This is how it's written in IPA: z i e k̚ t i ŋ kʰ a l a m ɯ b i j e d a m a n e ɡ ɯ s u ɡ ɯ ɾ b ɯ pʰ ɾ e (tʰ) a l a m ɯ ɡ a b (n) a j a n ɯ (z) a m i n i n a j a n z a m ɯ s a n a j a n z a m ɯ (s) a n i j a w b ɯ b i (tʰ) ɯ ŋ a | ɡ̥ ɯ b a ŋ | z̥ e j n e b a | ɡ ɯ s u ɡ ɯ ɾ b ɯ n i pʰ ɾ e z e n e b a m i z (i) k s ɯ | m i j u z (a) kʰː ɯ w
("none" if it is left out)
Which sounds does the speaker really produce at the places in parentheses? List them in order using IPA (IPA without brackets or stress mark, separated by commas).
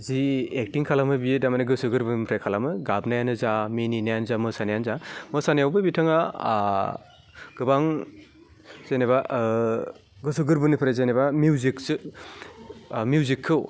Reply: kʰ, n, z, s, tʰ, i, i